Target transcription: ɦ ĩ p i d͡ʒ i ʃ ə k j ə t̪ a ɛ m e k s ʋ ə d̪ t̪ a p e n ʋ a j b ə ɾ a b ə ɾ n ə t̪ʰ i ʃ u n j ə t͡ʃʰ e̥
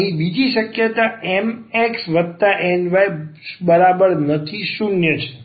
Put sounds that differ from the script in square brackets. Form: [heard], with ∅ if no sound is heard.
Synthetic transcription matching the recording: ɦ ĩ [b] i d͡ʒ i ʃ ə k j ə t̪ a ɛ m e k s ʋ ə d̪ t̪ a [ʔ] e n ʋ a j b ə ɾ a b ə ɾ n ə t̪ʰ i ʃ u n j ə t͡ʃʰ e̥